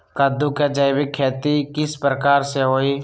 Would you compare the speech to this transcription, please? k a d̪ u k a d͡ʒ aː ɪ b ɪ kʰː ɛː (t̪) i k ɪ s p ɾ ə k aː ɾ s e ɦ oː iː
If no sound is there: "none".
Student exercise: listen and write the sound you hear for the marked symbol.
t̪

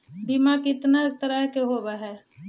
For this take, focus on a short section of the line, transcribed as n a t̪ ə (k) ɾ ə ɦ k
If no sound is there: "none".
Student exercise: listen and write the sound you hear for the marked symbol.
none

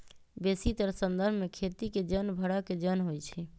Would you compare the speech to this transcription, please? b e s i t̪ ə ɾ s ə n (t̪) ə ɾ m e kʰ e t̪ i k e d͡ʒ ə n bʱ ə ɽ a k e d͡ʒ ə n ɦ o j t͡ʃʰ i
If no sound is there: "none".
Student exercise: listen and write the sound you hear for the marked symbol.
d̪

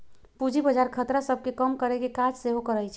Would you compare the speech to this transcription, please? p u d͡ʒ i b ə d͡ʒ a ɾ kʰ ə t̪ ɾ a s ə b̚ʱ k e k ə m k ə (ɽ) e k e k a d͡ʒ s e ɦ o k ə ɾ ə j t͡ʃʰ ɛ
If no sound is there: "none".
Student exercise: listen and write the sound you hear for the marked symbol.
ɾ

